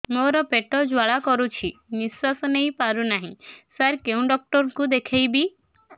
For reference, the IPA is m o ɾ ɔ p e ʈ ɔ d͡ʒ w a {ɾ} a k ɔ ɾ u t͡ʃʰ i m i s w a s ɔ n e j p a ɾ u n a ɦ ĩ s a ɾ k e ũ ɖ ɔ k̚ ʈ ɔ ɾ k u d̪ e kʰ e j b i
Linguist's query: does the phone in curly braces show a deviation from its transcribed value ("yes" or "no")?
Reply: yes